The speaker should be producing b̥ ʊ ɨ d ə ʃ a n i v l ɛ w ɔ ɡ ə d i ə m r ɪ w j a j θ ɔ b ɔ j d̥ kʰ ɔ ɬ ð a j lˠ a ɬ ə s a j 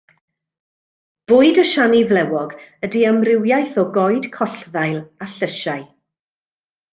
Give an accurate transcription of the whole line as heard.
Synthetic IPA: b̥ ʊ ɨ d ə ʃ a n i v l ɛ w ɔ ɡ ə d i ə m r ɪ w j a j θ ɔ ɡ ɔ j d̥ kʰ ɔ ɬ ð a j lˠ a ɬ ə ʃ a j